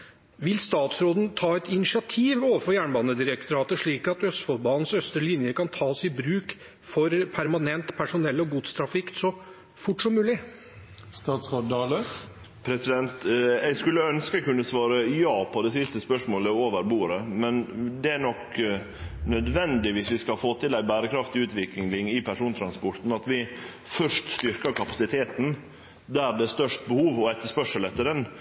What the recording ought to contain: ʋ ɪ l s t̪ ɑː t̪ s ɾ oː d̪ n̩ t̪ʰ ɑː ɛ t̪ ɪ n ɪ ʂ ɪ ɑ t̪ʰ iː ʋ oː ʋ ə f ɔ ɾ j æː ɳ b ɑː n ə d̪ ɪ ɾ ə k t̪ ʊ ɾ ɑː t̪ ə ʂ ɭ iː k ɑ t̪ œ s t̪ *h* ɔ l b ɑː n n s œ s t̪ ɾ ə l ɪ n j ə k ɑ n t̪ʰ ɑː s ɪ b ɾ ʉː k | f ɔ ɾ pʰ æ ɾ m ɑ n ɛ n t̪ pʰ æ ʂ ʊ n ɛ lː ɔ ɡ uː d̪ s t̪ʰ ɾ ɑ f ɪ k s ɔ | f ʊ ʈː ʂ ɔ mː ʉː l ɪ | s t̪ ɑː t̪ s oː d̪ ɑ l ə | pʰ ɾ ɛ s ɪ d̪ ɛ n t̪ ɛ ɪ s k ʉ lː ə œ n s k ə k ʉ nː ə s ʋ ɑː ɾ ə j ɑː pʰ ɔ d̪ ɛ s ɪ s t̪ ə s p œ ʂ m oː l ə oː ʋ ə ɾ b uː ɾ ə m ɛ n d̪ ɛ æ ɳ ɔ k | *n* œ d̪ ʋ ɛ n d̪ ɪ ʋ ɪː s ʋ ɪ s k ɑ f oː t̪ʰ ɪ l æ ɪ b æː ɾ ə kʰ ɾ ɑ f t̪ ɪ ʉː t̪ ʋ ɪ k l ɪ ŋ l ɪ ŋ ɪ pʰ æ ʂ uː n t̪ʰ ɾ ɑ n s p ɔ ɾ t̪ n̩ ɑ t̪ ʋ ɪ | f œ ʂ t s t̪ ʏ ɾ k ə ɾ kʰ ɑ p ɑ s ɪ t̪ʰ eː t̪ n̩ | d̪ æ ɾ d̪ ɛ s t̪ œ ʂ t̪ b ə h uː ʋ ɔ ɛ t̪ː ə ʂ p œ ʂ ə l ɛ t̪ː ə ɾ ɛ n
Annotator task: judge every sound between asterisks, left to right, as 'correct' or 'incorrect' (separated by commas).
incorrect, correct